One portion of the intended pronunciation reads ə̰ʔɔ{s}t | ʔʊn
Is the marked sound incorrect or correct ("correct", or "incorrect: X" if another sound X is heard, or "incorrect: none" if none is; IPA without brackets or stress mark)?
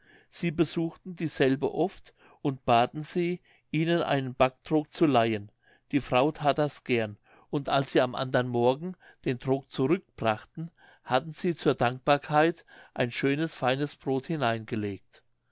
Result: incorrect: f